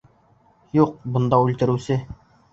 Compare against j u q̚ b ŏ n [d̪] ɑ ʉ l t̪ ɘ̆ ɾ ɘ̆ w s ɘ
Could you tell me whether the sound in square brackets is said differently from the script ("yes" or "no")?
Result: no